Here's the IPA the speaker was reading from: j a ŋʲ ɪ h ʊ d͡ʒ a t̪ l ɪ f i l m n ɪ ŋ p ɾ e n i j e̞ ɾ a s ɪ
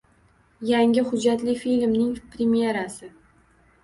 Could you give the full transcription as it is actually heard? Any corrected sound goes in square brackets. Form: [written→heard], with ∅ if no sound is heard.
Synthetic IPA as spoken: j a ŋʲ ɪ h ʊ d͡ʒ a t̪ l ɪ f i l m n ɪ ŋ p ɾ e [n→m] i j e̞ ɾ a s ɪ